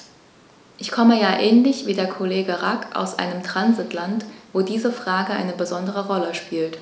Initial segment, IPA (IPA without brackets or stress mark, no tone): ʔ